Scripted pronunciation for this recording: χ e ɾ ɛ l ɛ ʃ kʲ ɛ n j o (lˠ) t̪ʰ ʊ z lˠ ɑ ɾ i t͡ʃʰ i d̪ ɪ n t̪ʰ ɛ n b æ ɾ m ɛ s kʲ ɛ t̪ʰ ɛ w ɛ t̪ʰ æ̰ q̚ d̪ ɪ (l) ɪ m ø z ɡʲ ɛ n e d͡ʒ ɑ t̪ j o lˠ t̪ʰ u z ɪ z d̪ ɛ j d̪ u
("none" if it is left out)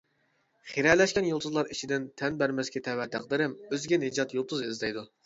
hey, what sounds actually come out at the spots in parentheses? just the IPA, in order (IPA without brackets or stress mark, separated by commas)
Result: lˠ, ɾ